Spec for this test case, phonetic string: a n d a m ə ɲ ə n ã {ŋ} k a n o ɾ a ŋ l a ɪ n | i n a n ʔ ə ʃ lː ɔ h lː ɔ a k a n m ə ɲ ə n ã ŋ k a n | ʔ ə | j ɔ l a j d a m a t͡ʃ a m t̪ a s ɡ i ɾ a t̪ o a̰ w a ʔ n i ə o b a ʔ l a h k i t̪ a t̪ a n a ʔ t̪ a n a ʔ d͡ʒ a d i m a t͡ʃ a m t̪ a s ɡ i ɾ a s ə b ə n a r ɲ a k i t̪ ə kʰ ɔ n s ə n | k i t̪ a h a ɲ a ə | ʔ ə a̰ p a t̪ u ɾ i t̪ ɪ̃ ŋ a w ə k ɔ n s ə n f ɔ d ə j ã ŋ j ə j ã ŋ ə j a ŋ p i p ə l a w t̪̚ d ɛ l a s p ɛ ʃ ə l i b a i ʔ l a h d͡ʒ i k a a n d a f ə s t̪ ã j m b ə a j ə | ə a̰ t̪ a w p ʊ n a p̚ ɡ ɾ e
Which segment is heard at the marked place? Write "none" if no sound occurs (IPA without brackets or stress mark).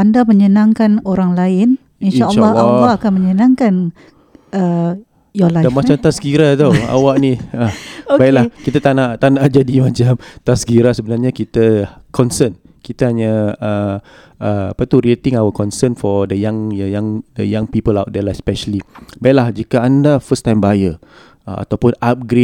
ŋ